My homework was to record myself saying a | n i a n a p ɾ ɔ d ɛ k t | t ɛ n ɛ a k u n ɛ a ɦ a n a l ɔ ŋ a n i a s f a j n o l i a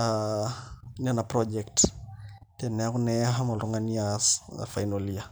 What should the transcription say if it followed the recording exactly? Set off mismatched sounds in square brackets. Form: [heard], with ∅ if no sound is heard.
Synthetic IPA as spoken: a | n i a n a p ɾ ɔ [d͡ʒ] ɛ k t | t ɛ n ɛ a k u n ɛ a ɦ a [m] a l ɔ ŋ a n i a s f a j n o l i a